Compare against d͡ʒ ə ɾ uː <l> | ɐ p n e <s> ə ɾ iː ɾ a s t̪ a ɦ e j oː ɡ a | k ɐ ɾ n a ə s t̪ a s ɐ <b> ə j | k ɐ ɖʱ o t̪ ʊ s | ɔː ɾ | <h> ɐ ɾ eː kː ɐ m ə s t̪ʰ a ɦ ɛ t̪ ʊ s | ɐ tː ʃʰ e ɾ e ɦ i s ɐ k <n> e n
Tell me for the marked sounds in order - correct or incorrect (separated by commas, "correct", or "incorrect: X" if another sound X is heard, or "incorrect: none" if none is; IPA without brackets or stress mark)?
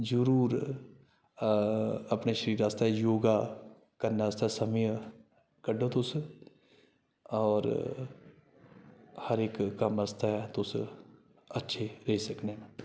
incorrect: ɾ, incorrect: ʃ, incorrect: m, correct, correct